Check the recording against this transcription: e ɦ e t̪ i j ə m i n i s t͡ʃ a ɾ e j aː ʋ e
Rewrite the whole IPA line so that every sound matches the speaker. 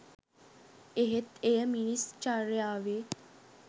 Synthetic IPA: e ɦ e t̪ e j ə m i n i s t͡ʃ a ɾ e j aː ʋ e